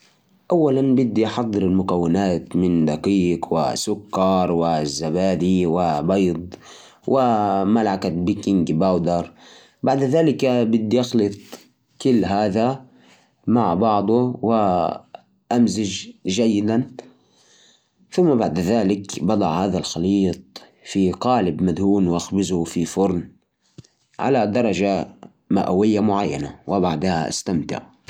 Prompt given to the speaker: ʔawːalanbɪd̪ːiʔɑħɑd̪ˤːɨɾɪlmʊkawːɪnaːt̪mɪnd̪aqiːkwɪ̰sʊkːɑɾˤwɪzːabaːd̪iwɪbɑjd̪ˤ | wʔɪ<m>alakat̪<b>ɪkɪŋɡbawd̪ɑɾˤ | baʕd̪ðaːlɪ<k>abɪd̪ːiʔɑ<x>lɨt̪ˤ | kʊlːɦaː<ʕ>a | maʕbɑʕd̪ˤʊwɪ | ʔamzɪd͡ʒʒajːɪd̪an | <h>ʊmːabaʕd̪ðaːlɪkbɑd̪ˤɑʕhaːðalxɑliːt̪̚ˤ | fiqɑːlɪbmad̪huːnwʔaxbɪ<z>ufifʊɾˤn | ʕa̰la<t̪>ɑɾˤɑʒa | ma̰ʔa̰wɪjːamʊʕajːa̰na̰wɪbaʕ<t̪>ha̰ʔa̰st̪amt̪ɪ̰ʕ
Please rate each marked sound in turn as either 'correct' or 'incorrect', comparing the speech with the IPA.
correct, correct, correct, correct, incorrect: ð, incorrect: θ, correct, incorrect: d̪, incorrect: d̪

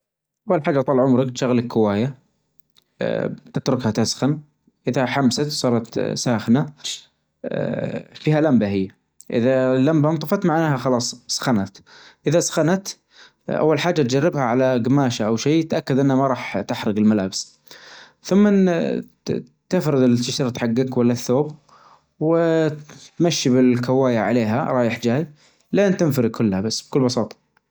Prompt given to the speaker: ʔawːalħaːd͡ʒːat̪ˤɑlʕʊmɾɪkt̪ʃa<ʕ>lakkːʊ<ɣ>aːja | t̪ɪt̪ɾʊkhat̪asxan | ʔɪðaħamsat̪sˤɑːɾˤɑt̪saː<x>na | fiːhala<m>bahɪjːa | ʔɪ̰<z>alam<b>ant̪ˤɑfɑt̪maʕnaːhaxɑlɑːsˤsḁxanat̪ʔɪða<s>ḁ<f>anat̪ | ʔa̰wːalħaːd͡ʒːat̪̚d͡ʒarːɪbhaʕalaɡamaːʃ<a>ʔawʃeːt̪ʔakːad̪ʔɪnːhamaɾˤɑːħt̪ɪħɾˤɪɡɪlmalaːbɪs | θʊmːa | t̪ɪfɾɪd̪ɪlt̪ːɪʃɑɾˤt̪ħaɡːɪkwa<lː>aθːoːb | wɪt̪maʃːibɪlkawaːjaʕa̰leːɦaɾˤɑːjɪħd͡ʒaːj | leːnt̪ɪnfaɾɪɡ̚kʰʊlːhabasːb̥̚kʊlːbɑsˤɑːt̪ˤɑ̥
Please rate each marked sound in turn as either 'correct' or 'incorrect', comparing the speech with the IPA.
incorrect: ɣ, incorrect: w, correct, correct, incorrect: ð, correct, correct, incorrect: x, correct, correct

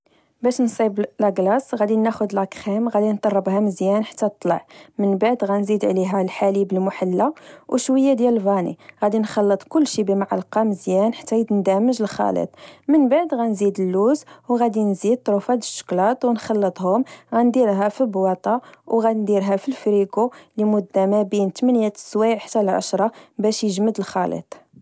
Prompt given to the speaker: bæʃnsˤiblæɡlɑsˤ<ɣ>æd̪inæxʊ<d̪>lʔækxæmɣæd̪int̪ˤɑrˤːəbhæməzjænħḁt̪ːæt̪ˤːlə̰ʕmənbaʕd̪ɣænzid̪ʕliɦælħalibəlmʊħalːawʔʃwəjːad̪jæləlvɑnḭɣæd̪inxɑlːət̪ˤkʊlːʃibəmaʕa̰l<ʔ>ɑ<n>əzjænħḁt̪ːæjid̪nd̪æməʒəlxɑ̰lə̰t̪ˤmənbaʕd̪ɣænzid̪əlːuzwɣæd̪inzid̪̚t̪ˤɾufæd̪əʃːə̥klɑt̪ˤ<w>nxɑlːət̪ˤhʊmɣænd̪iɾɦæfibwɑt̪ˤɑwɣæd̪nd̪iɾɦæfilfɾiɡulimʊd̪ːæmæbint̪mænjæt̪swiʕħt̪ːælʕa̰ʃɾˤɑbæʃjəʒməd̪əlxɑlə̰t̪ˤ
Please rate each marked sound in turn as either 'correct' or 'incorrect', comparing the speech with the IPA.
correct, correct, incorrect: q, incorrect: m, correct

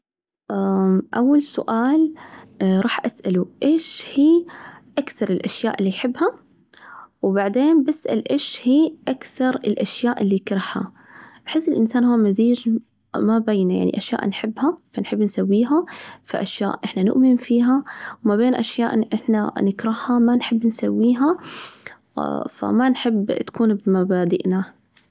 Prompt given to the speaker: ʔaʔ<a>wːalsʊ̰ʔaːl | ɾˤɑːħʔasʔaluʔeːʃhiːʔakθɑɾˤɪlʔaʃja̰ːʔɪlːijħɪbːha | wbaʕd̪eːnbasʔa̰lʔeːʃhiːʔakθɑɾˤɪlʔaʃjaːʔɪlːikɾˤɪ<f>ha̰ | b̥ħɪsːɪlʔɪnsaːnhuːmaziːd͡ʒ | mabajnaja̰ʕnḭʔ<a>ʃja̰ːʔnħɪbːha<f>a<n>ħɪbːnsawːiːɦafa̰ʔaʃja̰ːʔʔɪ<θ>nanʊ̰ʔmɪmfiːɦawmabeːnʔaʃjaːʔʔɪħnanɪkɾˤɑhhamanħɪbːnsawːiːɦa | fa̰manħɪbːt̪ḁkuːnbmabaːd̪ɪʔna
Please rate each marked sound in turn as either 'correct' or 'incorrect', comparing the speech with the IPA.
correct, incorrect: ħ, correct, correct, correct, incorrect: ħ

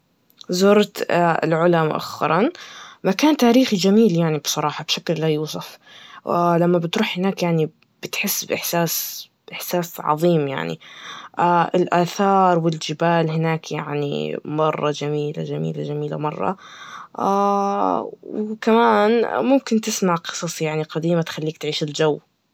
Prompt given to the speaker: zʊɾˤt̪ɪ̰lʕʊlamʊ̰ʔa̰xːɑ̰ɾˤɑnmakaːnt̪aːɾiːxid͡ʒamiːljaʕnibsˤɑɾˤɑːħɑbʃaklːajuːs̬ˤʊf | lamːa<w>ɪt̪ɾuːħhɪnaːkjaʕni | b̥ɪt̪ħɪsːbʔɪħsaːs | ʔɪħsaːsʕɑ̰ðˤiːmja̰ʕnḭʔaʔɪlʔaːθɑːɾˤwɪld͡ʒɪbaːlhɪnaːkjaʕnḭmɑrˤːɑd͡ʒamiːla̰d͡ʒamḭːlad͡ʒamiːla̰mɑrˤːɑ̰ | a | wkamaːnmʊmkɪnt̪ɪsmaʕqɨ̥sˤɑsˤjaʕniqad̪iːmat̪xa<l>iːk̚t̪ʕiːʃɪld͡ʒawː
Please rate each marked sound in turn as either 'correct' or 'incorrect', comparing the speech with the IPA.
incorrect: b, incorrect: lː

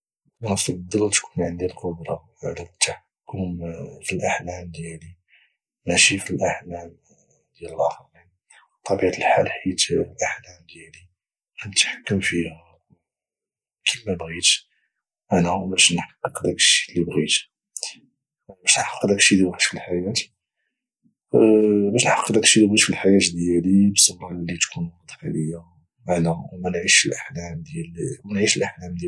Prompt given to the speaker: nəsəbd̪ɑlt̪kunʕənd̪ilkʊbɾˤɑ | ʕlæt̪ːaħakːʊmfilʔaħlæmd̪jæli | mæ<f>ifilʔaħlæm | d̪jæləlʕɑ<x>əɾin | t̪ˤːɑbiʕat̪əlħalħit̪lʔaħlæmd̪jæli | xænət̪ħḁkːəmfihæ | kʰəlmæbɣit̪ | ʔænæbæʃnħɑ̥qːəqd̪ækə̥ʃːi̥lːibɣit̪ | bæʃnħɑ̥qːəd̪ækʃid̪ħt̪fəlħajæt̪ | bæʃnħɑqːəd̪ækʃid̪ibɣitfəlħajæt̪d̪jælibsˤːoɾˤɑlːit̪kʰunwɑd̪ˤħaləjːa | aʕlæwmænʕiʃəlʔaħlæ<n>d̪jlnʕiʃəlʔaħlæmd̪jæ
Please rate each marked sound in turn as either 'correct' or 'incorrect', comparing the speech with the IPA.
incorrect: ʃ, correct, incorrect: m

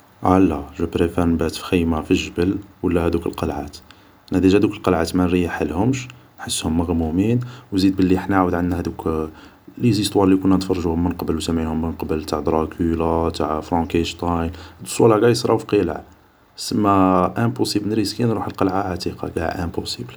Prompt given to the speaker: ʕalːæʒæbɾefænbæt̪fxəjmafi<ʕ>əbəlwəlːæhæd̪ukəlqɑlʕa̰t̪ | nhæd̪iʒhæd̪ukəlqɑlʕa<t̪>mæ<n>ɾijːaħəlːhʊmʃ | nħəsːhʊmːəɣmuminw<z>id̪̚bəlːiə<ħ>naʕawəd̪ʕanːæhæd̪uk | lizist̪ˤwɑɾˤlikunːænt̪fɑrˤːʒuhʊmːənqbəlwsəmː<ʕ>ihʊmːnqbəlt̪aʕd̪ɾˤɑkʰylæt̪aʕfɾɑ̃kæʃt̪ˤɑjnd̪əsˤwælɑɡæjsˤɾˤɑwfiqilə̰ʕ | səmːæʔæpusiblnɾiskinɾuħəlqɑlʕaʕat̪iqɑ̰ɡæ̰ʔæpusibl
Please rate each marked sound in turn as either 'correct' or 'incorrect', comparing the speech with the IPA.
incorrect: ʒ, correct, correct, correct, correct, correct

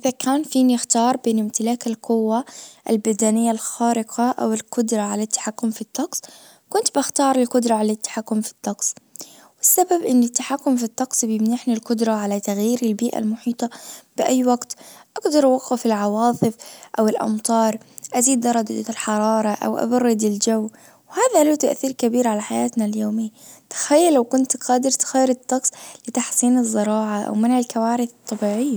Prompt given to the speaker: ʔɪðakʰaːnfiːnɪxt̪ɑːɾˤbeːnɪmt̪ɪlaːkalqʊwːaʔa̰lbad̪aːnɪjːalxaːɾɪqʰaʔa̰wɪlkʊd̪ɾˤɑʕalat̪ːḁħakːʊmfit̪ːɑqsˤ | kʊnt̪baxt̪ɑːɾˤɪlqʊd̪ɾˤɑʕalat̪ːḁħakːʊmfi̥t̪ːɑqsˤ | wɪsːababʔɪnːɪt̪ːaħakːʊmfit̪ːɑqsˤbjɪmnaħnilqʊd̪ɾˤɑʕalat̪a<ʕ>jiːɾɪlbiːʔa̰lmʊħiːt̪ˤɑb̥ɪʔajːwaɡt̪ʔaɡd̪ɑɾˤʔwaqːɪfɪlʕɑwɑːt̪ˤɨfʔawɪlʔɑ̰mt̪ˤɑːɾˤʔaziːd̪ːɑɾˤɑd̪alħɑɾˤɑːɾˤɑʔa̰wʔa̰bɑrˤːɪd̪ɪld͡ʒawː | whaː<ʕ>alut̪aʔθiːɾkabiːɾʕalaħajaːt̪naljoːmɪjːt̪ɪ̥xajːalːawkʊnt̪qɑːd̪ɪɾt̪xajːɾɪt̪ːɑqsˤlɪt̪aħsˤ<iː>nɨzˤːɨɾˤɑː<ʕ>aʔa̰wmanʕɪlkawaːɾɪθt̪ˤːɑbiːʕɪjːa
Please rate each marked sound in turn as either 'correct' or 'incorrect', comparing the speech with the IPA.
incorrect: ɣ, incorrect: ð, correct, correct

